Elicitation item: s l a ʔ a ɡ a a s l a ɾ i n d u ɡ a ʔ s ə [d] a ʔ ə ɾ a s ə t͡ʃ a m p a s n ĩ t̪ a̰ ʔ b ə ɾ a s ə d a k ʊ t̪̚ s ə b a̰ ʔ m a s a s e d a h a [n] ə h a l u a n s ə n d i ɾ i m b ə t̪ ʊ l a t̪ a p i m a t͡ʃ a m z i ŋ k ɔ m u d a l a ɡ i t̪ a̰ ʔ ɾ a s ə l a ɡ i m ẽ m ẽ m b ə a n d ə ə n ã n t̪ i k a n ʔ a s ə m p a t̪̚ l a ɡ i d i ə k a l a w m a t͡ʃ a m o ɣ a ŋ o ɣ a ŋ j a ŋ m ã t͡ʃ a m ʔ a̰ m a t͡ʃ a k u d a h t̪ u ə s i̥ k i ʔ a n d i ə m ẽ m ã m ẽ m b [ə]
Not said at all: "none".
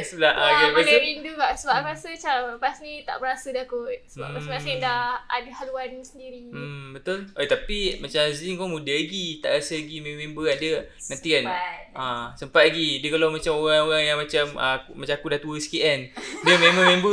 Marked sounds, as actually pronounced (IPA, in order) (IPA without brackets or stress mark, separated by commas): b, d, ə